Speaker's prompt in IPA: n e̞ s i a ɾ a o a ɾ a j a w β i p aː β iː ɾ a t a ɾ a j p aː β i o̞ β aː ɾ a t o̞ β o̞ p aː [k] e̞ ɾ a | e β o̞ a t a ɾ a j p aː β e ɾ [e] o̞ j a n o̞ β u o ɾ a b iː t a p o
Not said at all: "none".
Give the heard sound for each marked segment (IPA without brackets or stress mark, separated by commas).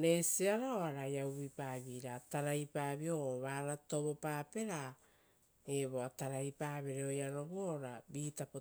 p, e